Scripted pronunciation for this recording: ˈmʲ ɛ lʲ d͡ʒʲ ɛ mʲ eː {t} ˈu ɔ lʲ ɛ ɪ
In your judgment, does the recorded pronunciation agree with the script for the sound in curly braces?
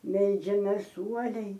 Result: no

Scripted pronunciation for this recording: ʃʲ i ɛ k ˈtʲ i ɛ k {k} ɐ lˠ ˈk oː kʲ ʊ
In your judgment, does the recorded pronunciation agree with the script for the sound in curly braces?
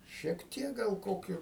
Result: no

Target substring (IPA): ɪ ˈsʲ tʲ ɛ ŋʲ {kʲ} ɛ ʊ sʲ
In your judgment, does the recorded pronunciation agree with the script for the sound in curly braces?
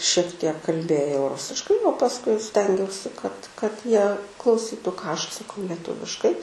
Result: no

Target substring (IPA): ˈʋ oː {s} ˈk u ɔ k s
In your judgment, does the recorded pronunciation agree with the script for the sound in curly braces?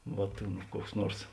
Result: no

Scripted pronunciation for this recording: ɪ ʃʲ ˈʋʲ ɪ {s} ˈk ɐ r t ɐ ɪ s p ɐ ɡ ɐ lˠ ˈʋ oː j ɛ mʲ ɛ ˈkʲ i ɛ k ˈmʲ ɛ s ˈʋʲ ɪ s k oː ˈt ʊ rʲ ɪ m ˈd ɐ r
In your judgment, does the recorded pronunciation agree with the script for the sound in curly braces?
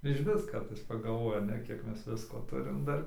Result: yes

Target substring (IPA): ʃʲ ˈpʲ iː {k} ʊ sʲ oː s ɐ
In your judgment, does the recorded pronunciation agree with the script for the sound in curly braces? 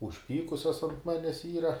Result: yes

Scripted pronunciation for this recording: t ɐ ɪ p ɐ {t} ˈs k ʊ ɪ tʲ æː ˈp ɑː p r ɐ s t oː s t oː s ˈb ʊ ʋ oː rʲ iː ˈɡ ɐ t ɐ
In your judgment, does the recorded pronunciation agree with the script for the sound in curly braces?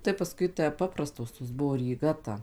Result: no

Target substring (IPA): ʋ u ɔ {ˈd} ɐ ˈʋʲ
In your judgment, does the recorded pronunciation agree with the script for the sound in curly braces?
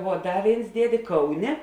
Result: yes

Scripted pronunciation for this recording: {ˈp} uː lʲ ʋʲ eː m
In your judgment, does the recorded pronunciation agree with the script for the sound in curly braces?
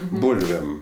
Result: no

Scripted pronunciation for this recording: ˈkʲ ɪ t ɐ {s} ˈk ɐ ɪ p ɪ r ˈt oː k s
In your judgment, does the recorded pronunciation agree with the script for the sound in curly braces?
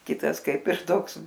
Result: yes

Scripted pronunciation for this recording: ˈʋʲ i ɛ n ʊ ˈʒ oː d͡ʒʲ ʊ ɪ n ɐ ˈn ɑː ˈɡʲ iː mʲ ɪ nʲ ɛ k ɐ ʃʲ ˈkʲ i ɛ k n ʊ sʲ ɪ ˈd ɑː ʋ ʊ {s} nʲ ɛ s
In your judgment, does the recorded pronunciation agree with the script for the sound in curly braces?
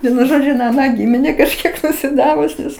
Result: yes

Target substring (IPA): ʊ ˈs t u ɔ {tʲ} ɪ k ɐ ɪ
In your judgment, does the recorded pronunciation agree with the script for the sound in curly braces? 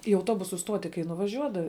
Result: yes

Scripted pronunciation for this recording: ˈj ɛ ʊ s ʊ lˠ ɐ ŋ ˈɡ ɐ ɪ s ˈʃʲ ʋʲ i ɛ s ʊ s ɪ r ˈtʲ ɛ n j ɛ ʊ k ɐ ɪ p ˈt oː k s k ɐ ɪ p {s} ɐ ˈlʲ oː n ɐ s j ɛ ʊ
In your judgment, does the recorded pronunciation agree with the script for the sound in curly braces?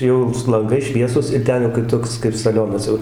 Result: yes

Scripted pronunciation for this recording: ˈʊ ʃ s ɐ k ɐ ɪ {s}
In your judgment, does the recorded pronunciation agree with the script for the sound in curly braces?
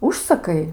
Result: no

